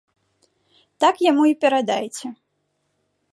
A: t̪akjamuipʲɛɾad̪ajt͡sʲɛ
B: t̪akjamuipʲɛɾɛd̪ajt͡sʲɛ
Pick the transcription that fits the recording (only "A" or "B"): A